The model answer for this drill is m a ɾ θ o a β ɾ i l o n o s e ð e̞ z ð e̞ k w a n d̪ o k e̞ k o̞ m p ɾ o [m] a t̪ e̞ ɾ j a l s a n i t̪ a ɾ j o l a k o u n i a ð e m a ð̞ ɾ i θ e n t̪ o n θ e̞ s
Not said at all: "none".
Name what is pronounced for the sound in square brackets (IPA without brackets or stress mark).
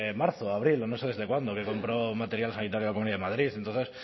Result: m